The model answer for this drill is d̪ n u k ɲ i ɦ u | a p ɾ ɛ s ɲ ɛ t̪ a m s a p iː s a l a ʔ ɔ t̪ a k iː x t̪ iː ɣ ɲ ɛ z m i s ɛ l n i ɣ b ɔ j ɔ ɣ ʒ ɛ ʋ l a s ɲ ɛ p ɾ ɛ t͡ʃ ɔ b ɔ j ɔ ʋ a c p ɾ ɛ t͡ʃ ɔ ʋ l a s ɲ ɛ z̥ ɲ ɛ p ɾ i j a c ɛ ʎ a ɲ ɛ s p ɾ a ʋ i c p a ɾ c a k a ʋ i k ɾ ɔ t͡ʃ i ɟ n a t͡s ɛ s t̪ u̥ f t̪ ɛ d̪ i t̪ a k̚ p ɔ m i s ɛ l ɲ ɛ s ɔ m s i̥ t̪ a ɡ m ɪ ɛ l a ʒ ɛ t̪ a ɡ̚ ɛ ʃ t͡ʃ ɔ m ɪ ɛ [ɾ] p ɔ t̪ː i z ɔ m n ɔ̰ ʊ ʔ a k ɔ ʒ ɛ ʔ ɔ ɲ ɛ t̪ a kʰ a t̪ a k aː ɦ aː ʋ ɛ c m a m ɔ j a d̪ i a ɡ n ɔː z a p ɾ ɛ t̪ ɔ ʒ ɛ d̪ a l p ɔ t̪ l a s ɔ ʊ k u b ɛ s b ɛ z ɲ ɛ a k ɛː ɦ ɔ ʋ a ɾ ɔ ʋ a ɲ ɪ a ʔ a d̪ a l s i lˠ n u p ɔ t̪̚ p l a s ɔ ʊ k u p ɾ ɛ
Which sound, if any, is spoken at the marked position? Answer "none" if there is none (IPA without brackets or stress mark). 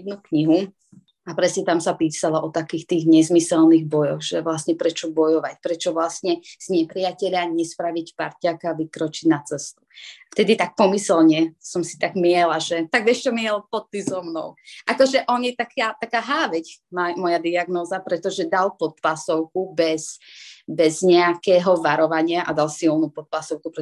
l